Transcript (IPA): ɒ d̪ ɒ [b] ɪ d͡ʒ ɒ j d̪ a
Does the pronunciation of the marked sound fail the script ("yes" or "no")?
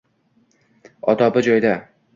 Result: no